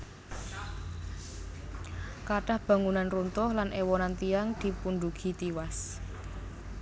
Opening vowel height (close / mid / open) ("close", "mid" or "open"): open